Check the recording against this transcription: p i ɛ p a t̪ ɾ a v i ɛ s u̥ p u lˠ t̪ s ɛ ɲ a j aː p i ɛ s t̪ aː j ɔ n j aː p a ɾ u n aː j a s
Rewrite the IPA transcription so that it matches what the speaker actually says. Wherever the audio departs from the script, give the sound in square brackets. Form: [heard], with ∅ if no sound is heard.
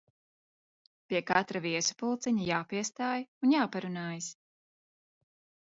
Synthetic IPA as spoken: p i ɛ [k] a t̪ ɾ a v i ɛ s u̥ p u lˠ t̪ s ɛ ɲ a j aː p i ɛ s t̪ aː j [u] n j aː p a ɾ u n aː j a s